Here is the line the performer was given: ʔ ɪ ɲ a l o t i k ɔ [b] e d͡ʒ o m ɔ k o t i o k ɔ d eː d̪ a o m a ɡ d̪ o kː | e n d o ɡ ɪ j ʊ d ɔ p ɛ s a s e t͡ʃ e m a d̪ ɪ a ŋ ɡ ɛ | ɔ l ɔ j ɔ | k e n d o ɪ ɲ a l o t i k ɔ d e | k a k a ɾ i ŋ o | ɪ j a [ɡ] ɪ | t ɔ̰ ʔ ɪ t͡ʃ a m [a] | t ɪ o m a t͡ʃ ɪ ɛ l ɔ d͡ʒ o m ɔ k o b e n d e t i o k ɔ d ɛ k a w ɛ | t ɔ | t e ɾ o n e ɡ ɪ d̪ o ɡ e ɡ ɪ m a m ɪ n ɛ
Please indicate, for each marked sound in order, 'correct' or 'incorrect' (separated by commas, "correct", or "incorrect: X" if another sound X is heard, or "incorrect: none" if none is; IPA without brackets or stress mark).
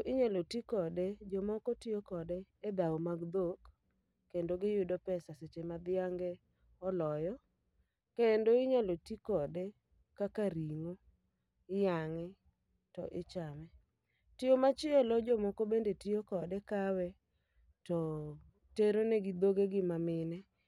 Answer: incorrect: d, incorrect: ŋ, incorrect: ɛ